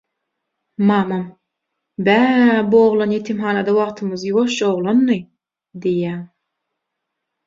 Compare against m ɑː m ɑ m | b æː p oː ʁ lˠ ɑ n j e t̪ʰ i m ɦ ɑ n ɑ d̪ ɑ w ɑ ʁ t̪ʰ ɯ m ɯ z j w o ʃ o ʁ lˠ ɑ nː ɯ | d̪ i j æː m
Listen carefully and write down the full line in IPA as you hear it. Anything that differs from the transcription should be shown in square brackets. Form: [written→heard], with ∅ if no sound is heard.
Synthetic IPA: m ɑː m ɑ m | b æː [p→b] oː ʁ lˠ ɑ n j e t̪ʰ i m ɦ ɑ n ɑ d̪ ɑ w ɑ ʁ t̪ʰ ɯ m ɯ z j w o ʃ o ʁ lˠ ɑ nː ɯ | d̪ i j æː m